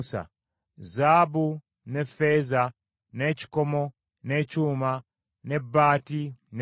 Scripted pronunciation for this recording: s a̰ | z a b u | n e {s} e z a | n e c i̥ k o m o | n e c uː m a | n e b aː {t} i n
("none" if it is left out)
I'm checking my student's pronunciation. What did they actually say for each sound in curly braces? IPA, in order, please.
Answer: f, t

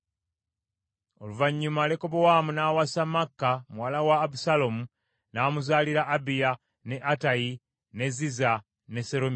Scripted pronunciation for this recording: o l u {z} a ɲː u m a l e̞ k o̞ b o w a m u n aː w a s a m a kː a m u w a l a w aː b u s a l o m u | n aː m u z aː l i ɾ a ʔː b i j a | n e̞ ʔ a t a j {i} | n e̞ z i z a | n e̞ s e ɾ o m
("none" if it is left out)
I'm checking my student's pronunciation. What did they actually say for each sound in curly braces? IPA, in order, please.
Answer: v, i

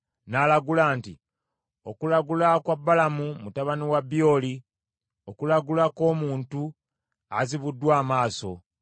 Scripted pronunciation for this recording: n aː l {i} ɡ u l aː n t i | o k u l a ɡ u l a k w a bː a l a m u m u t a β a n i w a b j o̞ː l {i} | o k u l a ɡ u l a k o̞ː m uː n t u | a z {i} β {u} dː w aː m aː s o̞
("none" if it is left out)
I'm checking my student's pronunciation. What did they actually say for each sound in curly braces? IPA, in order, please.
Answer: a, i, i, u

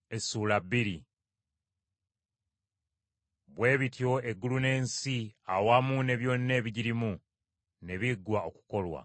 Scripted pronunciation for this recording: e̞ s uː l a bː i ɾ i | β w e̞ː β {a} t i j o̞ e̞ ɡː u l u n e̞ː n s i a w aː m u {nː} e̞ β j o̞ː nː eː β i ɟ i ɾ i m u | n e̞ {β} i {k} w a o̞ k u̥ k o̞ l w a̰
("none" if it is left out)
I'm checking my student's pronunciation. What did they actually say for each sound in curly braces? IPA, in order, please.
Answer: i, n, β, ɡ

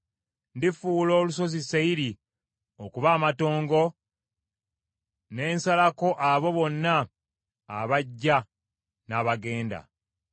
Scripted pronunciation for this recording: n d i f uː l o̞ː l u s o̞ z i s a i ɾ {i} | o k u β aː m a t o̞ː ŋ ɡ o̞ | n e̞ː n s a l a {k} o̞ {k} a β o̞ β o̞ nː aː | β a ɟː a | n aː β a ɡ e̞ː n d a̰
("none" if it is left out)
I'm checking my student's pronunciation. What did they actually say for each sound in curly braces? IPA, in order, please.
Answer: i, k, ʔ

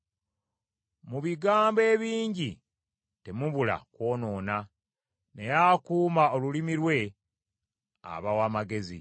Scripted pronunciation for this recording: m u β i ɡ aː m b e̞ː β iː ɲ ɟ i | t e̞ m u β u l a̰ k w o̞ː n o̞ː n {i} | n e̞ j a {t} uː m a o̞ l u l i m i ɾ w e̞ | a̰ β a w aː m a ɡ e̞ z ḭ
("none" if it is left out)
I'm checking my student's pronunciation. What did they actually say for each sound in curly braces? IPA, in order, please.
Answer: a, k

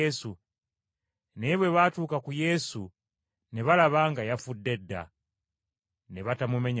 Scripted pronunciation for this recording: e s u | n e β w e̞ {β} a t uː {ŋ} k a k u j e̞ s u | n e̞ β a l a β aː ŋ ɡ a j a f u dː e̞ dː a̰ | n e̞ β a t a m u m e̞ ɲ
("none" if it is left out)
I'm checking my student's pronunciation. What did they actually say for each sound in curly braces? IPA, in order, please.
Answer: β, none

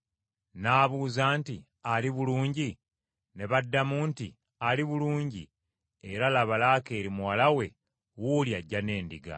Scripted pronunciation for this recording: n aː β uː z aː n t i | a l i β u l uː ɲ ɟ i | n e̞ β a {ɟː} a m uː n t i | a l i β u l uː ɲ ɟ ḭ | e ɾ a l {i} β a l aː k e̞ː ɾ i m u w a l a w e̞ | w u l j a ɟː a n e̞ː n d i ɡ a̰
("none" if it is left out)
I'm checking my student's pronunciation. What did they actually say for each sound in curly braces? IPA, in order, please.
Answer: dː, a

